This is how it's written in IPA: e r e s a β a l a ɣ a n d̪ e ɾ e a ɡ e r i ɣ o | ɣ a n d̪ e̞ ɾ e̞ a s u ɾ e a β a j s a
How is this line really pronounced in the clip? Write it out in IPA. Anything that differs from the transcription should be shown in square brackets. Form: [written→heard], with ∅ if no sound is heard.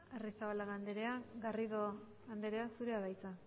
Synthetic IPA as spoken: e r [e→i] s a β a l a ɣ a n d̪ e ɾ e a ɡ [e→a] r i [ɣ→ð] o | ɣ a n d̪ e̞ ɾ e̞ a s u ɾ e a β a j [s→t͡s] a